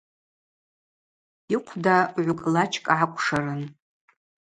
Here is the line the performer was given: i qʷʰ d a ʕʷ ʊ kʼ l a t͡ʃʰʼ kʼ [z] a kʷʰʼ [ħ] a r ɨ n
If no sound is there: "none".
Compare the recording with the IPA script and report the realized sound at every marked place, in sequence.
ʕ, ʂ

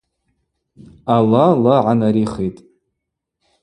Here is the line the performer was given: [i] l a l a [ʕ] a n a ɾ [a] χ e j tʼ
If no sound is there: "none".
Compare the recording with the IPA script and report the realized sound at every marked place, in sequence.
a, ʕ, i

